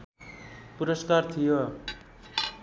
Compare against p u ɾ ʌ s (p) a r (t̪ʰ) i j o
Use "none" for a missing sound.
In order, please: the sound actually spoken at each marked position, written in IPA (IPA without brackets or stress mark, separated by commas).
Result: k, t̪ʰ